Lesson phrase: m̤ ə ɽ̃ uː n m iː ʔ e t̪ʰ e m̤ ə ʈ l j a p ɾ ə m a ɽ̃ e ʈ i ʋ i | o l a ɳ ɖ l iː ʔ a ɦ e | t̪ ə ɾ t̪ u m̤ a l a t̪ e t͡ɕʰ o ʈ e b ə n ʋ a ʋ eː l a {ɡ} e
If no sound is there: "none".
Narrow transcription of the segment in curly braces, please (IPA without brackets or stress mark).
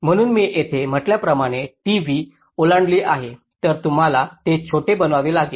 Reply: ɡ